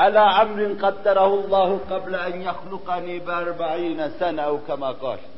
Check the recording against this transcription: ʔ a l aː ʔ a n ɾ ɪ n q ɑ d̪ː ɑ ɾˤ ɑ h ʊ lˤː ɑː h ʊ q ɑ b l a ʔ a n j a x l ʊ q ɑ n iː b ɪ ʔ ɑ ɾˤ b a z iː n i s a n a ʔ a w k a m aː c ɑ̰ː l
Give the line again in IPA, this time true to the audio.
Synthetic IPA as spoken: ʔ a l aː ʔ a m ɾ ɪ n q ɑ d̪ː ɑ ɾˤ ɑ h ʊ lˤː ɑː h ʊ q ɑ b l a ʔ a n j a x l ʊ q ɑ n iː b ɪ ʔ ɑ ɾˤ b a ʕ iː n a s a n a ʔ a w k a m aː q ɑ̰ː l